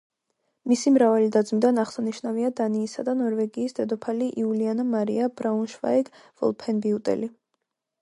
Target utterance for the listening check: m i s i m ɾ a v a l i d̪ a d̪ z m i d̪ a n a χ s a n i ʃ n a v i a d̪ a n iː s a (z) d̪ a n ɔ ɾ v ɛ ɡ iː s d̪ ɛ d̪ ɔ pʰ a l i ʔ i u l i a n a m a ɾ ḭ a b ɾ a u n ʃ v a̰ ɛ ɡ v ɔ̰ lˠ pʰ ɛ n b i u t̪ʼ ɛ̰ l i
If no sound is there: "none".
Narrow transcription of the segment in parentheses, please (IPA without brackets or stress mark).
none